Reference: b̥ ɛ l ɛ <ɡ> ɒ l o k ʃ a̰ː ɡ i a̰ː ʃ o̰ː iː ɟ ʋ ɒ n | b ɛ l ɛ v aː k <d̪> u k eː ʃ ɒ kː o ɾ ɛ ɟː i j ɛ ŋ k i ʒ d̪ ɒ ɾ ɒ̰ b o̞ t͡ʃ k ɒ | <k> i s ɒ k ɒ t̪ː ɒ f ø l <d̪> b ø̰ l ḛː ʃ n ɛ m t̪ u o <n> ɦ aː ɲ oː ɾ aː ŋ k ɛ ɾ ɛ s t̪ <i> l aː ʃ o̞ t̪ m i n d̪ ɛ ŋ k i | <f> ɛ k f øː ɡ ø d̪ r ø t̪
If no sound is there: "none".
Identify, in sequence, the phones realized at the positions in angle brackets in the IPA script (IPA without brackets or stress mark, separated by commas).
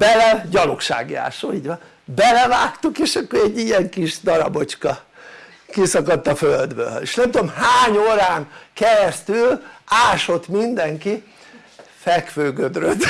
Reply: ɟ, t̪, k, d̪, m, y, f